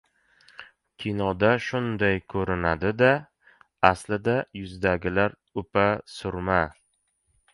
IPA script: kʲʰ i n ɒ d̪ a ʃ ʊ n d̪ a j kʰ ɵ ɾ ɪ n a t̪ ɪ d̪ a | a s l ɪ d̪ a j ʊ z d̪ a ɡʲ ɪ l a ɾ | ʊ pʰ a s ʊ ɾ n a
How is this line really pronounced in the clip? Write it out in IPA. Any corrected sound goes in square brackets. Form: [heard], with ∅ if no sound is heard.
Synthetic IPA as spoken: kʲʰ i n ɒ d̪ a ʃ ʊ n d̪ a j kʰ ɵ ɾ ɪ n a [d̪] ɪ d̪ a | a s l ɪ d̪ a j ʊ z d̪ a ɡʲ ɪ l a ɾ | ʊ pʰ a s ʊ ɾ [m] a